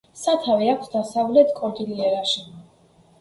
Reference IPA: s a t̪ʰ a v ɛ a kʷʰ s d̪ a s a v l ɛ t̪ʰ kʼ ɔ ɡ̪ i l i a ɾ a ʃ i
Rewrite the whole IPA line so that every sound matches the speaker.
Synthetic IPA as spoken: s a t̪ʰ a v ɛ a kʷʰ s d̪ a s a v l ɛ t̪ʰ kʼ ɔ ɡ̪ i l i ɛ ɾ a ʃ i